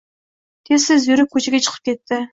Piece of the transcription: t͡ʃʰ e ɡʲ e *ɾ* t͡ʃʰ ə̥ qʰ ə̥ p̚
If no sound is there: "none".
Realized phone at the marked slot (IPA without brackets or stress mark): none